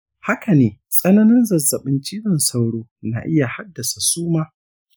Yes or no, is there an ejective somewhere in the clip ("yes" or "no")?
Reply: yes